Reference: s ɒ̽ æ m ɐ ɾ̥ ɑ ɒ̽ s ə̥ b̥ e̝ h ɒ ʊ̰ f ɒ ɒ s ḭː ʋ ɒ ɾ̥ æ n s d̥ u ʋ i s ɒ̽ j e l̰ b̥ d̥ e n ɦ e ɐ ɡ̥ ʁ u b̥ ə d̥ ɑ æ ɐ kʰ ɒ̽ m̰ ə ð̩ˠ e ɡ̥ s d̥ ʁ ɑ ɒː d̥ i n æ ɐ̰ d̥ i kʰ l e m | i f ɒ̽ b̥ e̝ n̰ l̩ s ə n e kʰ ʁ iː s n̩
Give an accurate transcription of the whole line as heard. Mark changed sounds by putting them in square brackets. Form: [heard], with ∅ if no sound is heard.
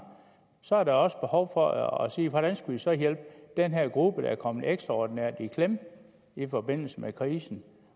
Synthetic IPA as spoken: s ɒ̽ æ [∅] ɐ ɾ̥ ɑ ɒ̽ s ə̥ b̥ e̝ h ɒ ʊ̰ f ɒ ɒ s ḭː ʋ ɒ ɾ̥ æ n s [ɡ̥] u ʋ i s ɒ̽ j e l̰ b̥ d̥ e n ɦ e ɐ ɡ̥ ʁ u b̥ ə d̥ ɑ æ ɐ kʰ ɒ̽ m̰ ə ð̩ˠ e ɡ̥ s d̥ ʁ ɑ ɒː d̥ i n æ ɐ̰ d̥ i kʰ l e m | i f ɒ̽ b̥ e̝ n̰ l̩ s ə [m] e kʰ ʁ iː s n̩

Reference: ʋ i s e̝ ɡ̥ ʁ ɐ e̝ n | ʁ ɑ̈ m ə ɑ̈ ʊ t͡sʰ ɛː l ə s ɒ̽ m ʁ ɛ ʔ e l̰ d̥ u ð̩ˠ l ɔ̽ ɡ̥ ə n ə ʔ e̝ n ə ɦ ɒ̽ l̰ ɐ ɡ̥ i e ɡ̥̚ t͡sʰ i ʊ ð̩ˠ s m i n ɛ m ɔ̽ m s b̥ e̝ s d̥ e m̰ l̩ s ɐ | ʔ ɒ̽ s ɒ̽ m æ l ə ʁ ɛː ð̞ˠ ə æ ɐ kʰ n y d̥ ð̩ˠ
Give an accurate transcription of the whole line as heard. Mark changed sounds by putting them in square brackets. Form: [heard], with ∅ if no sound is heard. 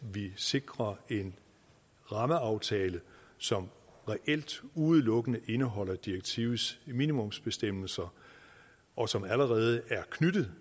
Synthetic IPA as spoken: ʋ i s e̝ ɡ̥ ʁ ɐ e̝ n | ʁ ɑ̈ m ə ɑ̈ ʊ t͡sʰ ɛː l ə s ɒ̽ m ʁ ɛ ʔ e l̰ d̥ u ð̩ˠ l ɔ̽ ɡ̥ ə n ə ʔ e̝ n ə ɦ ɒ̽ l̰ ɐ [d̥] i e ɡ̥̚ t͡sʰ i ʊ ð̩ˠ s m i n [i] m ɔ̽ m s b̥ e̝ s d̥ e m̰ l̩ s ɐ | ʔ ɒ̽ s ɒ̽ m æ l ə ʁ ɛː ð̞ˠ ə æ ɐ kʰ n y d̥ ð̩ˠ

